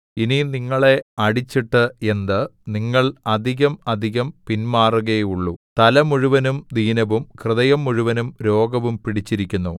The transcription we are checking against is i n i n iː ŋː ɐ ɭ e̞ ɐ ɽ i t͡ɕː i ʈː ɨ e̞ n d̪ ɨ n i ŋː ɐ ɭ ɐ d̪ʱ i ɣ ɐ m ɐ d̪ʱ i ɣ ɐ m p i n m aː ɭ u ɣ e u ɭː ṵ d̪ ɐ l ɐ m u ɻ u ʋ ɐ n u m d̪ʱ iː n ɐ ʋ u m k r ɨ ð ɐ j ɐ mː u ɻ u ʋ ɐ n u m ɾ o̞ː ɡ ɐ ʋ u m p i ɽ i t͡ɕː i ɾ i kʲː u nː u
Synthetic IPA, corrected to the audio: i n i n i ŋː ɐ ɭ e̞ ɐ ɽ i t͡ɕː i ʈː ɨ e̞ n d̪ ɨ n i ŋː ɐ ɭ ɐ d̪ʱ i ɣ ɐ m ɐ d̪ʱ i ɣ ɐ m p i n m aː r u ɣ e u ɭː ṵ t̪ ɐ l ɐ m u ɻ u ʋ ɐ n u m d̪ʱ iː n ɐ ʋ u m k r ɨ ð ɐ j ɐ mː u ɻ u ʋ ɐ n u m ɾ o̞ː ɡ ɐ ʋ u m p i ɽ i t͡ɕː i ɾ i kʲː u nː u